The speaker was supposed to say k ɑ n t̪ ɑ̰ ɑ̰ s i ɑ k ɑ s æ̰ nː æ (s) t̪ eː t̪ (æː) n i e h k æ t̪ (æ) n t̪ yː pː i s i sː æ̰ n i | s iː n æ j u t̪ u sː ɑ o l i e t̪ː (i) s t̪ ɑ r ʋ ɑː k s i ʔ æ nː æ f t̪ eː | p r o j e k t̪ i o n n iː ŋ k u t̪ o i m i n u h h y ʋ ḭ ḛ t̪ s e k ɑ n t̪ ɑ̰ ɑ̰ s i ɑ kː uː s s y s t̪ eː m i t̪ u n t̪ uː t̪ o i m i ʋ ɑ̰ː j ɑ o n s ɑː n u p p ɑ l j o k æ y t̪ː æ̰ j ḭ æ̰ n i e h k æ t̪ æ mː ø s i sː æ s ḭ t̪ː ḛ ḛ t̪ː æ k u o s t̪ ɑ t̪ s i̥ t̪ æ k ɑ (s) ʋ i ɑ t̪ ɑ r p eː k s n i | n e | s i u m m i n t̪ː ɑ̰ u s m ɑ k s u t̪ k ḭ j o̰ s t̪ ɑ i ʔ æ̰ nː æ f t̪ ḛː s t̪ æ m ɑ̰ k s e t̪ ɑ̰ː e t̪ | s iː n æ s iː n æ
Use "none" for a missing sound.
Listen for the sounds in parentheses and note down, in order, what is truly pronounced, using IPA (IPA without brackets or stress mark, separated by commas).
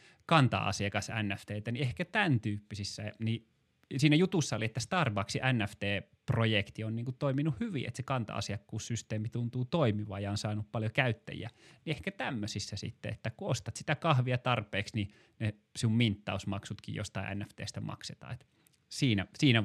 f, æ, æ, æ, h